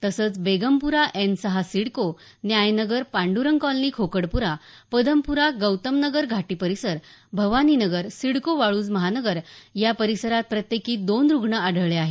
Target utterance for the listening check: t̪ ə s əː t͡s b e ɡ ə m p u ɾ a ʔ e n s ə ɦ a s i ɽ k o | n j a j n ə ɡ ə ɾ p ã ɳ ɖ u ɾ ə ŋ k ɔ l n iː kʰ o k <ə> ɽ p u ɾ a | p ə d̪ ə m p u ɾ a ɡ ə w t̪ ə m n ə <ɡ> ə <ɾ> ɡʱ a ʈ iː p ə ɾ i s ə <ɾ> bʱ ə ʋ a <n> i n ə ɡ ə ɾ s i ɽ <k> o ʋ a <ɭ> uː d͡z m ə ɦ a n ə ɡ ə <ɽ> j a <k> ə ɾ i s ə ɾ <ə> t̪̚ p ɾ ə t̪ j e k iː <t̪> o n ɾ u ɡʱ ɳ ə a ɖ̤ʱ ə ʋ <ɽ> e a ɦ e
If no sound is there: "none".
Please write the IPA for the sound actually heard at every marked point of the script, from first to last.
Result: ə, ɡ, ɾ, ɾ, n, k, ɭ, ɾ, p, a, d̪, ɭ

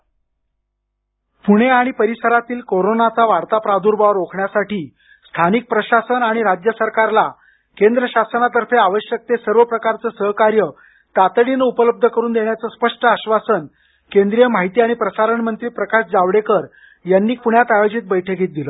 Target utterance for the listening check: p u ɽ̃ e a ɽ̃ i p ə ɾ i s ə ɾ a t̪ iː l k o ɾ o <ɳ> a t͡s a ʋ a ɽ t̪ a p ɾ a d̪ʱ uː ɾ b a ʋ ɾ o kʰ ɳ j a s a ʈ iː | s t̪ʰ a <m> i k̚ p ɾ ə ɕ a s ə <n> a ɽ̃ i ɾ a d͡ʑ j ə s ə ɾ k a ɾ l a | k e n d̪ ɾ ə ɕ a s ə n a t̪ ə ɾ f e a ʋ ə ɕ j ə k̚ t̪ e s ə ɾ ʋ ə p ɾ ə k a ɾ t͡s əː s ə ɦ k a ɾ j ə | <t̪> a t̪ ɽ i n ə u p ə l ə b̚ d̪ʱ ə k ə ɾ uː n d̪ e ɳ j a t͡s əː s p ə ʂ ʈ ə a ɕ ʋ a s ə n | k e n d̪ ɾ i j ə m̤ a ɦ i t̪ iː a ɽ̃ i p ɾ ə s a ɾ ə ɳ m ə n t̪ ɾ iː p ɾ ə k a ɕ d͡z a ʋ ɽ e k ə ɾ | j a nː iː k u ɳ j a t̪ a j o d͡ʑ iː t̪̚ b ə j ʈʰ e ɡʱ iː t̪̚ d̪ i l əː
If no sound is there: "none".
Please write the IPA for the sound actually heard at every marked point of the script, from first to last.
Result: n, n, n, t̪

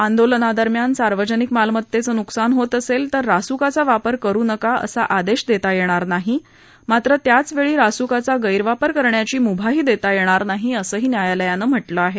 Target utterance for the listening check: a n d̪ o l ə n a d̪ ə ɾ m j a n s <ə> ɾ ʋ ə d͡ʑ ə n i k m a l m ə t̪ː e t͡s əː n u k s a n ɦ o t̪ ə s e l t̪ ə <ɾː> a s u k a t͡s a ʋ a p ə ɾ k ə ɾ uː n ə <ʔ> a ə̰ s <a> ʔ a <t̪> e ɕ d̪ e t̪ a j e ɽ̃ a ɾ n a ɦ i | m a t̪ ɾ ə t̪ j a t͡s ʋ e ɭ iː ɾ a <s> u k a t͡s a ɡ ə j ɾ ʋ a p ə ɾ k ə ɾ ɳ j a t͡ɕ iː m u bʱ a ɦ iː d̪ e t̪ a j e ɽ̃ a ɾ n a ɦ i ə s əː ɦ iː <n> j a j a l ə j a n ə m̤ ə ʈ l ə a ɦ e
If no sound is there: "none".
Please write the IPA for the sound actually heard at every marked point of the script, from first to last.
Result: a, ɾː, k, a, d̪, s, n

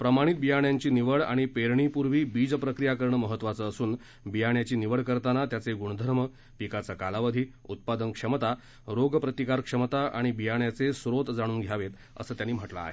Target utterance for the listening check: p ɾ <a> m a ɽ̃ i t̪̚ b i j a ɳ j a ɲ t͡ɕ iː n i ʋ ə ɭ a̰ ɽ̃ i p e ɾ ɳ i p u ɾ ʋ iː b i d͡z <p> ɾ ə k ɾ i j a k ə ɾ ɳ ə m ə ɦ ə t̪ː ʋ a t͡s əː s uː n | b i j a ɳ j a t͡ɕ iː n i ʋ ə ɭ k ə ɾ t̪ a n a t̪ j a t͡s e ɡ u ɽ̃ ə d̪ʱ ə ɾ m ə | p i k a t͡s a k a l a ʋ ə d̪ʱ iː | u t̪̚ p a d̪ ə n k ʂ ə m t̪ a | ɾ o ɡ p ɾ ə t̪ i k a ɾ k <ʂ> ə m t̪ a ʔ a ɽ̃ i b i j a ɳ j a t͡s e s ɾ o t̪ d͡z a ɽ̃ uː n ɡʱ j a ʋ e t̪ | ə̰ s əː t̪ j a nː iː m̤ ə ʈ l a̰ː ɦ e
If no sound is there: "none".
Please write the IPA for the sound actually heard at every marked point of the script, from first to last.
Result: ə, p, ʂ

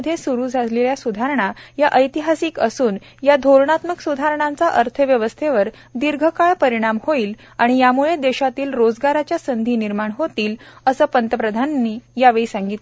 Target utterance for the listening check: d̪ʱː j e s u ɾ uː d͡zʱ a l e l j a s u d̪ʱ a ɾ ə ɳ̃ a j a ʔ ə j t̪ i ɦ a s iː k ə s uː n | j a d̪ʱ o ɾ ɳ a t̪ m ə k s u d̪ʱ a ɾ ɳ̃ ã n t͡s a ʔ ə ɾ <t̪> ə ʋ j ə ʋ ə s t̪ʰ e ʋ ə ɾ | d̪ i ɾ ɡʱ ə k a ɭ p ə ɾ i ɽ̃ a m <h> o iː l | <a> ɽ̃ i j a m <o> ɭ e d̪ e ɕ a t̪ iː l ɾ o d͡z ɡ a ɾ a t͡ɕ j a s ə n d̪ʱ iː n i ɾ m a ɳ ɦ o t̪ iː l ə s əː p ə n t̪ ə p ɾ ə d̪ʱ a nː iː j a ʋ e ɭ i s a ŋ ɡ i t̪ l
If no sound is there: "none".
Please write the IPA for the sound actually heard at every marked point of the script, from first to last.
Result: t̪ʰ, h, a, u

